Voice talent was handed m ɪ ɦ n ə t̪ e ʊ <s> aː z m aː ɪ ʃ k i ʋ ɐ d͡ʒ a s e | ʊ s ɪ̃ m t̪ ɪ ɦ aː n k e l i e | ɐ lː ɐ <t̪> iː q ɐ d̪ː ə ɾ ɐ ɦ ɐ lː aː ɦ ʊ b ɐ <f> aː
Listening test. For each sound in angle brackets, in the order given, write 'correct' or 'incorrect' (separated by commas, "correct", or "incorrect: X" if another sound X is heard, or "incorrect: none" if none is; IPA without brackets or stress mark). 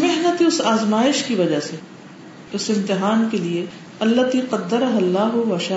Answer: correct, correct, incorrect: ʃ